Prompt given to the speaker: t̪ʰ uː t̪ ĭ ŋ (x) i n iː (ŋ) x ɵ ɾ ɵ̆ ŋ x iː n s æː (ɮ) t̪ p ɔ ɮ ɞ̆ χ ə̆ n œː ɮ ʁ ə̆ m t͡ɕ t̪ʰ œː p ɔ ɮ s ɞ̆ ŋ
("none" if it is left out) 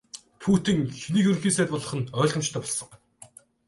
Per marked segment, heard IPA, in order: x, none, none

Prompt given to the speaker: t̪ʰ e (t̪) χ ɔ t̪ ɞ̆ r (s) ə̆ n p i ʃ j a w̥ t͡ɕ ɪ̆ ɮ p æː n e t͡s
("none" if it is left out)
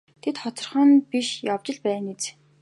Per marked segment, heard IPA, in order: t̪, χ

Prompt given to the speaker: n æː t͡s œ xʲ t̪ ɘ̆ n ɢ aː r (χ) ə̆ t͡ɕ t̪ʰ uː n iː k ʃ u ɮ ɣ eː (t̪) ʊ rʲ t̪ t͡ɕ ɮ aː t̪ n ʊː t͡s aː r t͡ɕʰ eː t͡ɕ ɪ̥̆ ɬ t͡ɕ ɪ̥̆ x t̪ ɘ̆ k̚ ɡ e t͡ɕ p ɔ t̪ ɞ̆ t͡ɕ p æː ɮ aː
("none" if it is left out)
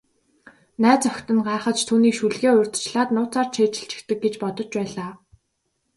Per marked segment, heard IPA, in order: χ, none

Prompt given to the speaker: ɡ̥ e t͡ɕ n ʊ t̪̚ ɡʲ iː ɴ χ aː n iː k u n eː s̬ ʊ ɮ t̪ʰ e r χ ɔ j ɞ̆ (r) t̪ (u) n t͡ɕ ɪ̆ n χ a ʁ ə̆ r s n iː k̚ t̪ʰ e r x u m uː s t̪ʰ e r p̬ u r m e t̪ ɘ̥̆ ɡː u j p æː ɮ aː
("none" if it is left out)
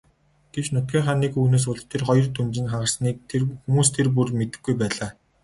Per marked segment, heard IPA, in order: r, u

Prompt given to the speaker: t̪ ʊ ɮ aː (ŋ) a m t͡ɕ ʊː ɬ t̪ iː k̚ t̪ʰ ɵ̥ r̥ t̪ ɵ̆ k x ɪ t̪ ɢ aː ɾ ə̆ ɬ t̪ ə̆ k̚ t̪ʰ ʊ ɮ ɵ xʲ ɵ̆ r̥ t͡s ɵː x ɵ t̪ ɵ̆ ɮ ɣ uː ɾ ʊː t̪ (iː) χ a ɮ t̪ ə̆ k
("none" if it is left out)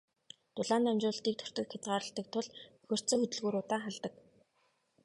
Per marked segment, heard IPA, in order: n, aː

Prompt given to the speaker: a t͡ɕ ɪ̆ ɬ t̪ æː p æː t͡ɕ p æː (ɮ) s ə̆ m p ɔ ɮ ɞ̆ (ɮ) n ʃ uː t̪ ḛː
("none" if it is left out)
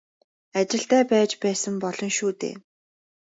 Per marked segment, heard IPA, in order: none, none

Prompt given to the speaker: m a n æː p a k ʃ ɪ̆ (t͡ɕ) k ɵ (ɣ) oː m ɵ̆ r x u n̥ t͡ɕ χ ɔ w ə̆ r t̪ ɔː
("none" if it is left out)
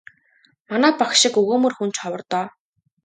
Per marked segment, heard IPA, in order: none, ɣ

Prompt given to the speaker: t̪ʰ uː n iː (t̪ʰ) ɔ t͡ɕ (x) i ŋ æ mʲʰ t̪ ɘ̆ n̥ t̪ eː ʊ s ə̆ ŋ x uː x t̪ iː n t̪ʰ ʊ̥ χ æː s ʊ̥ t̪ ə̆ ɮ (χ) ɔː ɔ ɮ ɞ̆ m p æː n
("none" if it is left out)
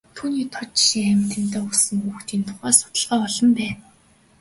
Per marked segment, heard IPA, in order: t̪ʰ, ʃ, ʁ

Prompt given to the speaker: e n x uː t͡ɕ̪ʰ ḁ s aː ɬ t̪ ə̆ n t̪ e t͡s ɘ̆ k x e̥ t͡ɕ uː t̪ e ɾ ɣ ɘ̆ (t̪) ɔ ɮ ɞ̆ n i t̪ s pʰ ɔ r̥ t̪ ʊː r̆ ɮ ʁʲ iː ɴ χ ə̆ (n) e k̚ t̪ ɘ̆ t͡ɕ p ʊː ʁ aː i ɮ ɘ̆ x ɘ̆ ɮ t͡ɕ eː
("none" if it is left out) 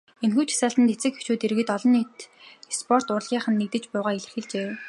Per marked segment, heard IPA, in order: t̪, nː

